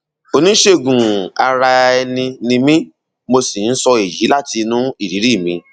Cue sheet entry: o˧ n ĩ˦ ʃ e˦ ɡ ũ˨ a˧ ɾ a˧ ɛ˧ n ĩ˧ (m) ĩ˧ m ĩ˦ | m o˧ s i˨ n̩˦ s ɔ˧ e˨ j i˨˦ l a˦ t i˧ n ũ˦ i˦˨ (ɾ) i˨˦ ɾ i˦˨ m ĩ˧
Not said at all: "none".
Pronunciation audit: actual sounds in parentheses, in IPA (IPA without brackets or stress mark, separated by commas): n, ɾ